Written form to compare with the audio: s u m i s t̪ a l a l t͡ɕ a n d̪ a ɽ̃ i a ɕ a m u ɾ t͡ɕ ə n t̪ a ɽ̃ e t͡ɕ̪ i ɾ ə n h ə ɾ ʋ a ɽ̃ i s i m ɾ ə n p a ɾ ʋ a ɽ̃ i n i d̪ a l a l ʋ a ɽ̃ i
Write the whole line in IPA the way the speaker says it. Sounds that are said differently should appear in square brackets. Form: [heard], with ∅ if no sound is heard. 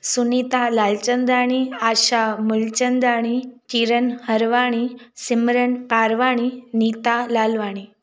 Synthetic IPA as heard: s u [n] i [∅] t̪ a l a l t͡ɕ [ə] n d̪ a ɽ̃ i a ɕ a m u [l] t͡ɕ ə n [d̪] a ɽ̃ [i] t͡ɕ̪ i ɾ ə n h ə ɾ ʋ a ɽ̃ i s i m ɾ ə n p a ɾ ʋ a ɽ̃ i n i [t̪] a l a l ʋ a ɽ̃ i